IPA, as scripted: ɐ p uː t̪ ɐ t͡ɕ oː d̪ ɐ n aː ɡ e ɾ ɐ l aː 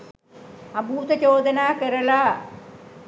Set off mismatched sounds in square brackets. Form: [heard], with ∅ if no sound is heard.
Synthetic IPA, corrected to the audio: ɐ [b] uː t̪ ɐ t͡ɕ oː d̪ ɐ n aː [k] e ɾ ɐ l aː